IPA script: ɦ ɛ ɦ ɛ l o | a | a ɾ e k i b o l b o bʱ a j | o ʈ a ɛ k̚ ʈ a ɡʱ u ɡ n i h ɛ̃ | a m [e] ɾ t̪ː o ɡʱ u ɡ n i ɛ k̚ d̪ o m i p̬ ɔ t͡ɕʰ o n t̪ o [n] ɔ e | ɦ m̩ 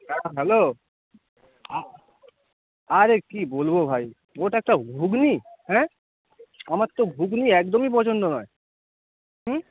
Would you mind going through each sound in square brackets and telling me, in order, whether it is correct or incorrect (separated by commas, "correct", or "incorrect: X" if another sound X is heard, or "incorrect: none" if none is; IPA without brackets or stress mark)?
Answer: incorrect: a, correct